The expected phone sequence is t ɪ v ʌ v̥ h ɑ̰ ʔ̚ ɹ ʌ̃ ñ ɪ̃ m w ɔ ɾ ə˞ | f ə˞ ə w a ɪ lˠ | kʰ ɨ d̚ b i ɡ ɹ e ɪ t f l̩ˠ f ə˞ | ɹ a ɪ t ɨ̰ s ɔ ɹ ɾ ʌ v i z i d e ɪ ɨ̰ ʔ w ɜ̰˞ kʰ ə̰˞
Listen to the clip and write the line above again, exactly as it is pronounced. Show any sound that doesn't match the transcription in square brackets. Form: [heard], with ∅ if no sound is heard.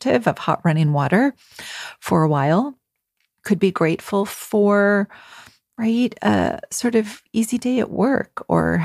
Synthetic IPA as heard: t ɪ v ʌ v̥ h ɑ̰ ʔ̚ ɹ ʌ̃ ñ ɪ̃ [ŋ] w ɔ ɾ ə˞ | f ə˞ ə w a ɪ lˠ | kʰ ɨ d̚ b i ɡ ɹ e ɪ t f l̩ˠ f ə˞ | ɹ a ɪ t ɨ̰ s ɔ ɹ ɾ ʌ v i z i d e ɪ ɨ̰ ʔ w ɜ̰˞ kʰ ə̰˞